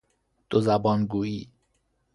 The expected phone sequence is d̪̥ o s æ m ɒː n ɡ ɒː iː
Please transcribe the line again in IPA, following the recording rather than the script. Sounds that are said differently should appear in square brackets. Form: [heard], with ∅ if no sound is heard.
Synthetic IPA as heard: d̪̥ o [z] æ [b] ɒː n ɡ [uː] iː